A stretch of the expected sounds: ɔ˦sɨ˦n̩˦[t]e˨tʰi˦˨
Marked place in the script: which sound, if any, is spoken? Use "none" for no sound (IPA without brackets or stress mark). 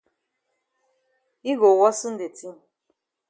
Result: d